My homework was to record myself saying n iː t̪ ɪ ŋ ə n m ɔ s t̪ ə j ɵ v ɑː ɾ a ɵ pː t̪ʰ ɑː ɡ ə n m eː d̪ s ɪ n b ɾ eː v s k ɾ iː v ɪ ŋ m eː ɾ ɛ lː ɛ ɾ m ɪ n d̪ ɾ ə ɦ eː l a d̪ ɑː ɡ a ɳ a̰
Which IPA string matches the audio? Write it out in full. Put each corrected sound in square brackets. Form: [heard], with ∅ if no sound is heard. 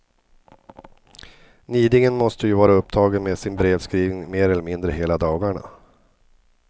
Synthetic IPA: n iː [d̪] ɪ ŋ ə n m ɔ s t̪ ə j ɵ v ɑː ɾ a ɵ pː t̪ʰ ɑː ɡ ə n m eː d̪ s ɪ n b ɾ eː v s k ɾ iː v ɪ ŋ m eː ɾ ɛ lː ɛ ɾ m ɪ n d̪ ɾ ə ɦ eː l a d̪ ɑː ɡ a ɳ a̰